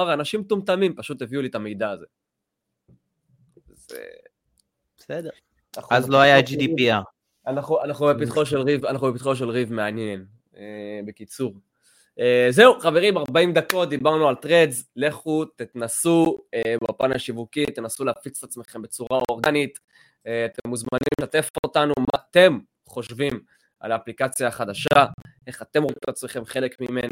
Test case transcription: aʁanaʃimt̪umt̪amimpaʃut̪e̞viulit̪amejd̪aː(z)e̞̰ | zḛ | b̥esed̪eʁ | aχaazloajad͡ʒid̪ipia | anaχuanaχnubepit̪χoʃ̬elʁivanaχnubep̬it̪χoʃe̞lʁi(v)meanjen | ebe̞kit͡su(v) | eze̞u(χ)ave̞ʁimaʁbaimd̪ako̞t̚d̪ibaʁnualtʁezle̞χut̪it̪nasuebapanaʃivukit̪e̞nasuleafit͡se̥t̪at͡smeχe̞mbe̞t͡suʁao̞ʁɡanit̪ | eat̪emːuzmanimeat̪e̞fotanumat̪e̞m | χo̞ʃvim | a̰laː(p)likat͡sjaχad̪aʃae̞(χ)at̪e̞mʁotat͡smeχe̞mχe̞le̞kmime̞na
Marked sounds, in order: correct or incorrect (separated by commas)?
correct, correct, incorrect, correct, correct, correct